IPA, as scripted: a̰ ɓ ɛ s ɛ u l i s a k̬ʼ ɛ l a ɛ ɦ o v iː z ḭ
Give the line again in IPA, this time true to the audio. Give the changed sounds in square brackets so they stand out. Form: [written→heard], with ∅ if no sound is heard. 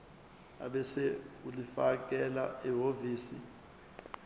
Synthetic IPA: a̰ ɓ ɛ s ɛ u l i [s→f] a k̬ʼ ɛ l a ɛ ɦ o v iː [z→s] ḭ